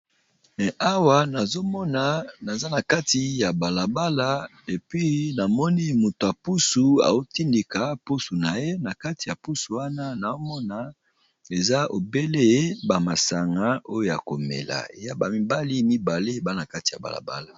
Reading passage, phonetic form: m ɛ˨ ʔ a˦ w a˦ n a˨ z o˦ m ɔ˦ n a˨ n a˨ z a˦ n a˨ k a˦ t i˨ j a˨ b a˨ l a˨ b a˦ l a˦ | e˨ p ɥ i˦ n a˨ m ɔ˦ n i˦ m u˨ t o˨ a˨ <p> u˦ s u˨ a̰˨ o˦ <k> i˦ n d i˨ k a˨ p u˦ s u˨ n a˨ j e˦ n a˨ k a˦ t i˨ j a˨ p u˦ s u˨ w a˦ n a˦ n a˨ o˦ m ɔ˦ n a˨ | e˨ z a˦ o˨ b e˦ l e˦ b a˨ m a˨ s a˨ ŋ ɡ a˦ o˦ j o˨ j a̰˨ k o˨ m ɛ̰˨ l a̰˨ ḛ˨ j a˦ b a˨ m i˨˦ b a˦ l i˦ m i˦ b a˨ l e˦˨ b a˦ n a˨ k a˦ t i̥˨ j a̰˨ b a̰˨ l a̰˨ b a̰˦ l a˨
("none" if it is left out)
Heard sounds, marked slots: p, t

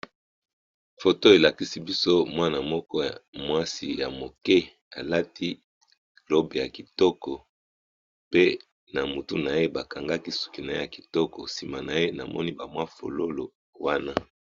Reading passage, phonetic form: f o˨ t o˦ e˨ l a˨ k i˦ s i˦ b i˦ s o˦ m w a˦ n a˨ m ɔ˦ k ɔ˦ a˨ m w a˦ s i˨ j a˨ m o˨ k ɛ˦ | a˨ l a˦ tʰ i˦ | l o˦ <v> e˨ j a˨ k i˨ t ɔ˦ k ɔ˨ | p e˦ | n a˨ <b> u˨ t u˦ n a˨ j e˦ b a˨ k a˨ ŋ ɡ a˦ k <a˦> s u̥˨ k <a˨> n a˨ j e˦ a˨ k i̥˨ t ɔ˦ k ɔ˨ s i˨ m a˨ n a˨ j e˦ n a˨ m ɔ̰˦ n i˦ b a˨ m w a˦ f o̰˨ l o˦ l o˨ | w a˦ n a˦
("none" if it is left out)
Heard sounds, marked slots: b, m, i˦, i˨

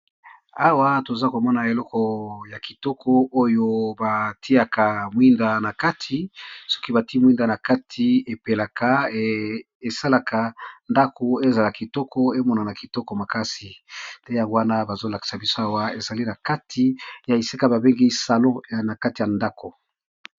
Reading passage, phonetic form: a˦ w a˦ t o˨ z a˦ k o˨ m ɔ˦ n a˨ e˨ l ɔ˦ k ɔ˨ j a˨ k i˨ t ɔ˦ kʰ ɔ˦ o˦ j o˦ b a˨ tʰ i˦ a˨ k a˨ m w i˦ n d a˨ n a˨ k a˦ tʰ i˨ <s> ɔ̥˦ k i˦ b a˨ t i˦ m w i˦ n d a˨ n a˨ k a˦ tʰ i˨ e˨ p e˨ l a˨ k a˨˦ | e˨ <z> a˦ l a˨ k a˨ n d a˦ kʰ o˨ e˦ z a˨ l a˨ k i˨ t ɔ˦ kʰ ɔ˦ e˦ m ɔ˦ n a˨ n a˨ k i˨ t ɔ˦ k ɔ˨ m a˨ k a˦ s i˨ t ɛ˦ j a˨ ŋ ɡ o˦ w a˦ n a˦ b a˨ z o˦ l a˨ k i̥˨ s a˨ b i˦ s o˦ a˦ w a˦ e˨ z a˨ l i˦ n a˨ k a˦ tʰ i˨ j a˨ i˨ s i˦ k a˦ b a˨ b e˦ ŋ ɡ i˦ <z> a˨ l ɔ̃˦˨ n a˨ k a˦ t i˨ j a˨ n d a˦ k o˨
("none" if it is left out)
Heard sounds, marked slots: s, s, s

